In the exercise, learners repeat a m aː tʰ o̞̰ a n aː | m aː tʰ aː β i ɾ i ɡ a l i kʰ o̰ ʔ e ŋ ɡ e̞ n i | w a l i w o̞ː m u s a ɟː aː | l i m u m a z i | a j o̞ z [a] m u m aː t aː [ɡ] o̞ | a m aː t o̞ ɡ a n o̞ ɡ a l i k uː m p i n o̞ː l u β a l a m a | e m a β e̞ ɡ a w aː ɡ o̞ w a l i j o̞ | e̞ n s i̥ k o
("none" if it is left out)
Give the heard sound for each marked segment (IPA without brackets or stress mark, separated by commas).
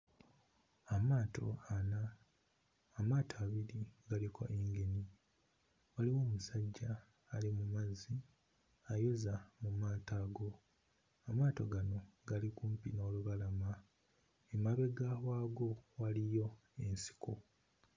a, ɡ